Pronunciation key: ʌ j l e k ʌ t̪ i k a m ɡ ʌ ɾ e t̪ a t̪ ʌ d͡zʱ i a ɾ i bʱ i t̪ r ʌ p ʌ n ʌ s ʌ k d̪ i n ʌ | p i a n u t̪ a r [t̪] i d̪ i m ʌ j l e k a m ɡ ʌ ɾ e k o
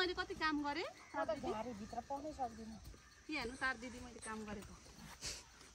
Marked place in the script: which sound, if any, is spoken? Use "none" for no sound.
d̪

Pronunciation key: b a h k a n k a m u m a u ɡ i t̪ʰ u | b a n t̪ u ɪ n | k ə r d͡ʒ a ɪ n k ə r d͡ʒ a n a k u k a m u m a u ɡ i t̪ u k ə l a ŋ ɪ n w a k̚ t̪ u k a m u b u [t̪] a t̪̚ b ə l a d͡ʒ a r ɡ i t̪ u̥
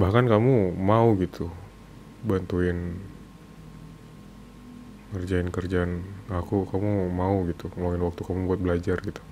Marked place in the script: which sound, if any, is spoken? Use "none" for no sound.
none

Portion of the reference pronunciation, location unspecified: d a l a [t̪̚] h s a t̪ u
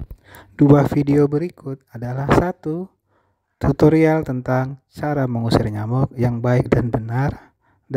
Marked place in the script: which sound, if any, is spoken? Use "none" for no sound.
none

